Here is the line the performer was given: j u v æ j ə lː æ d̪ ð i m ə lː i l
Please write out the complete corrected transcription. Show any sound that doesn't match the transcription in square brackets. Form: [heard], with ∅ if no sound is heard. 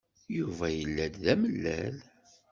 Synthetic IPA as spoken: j u v æ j ə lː æ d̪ ð [æ] m ə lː [æ] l